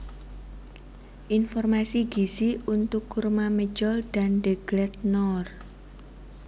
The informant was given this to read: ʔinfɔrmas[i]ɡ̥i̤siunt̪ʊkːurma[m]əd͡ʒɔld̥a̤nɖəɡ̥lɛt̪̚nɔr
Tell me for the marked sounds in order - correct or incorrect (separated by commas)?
correct, correct